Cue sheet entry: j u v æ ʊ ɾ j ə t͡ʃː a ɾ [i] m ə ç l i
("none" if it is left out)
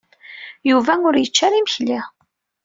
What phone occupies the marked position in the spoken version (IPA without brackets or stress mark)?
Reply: i